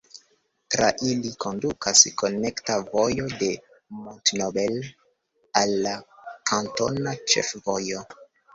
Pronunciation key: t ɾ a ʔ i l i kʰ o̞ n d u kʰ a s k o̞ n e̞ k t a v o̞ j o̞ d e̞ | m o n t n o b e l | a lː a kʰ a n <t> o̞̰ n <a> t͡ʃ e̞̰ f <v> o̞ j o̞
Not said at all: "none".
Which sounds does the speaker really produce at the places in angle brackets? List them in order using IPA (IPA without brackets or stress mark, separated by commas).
t, a, v